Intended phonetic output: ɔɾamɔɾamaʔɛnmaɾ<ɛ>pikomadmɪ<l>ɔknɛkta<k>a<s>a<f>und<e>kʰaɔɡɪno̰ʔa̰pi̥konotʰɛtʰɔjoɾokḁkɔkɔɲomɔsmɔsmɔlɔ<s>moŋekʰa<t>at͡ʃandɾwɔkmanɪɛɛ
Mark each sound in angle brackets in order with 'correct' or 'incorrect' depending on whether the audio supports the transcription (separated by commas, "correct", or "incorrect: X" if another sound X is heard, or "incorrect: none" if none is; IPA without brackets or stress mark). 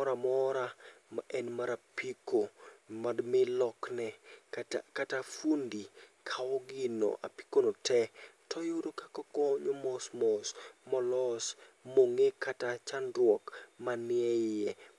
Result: incorrect: a, correct, correct, incorrect: t, correct, incorrect: i, correct, correct